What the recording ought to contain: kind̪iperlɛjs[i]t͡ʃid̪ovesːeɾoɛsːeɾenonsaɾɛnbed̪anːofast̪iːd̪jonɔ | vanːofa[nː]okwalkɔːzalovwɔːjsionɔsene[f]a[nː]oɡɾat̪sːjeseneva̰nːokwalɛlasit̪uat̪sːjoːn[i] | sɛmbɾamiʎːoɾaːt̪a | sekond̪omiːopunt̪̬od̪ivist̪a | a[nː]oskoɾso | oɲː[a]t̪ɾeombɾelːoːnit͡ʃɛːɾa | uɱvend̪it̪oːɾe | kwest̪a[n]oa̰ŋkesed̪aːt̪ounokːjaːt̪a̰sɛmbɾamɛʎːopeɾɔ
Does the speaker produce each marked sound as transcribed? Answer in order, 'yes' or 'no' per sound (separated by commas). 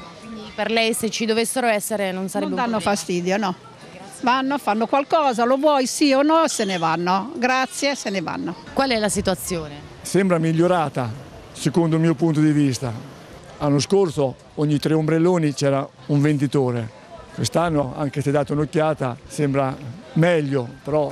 no, yes, no, yes, no, yes, no, no